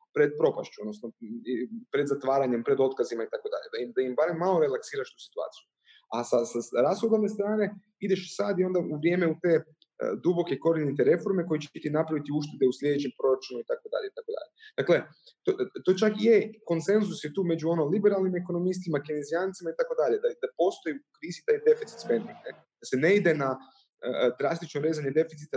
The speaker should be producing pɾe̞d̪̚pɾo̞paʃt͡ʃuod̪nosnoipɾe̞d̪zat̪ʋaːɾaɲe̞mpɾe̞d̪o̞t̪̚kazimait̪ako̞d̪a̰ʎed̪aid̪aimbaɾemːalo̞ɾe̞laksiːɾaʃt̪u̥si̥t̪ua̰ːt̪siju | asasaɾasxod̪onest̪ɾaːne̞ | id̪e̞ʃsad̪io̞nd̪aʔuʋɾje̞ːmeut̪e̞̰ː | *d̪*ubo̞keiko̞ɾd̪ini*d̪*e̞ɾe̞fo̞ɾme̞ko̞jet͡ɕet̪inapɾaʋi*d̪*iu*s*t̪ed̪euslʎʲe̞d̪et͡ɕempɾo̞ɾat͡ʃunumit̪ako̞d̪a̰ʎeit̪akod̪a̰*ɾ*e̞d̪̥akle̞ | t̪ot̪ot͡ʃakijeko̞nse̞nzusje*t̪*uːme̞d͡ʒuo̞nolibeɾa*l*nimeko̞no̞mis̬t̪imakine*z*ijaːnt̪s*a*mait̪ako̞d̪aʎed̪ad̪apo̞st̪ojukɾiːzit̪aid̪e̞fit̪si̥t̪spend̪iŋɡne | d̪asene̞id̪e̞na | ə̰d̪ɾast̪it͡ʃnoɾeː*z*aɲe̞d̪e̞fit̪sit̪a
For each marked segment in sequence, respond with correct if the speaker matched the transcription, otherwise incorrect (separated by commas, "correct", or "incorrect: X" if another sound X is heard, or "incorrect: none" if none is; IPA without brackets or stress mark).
correct, incorrect: t̪, incorrect: t̪, incorrect: ʃ, incorrect: ʎ, correct, correct, correct, incorrect: i, correct